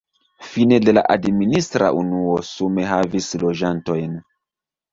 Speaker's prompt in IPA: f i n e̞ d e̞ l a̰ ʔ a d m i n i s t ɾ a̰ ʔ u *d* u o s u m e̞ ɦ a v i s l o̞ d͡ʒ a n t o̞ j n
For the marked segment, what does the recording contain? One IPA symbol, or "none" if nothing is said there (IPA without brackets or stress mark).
n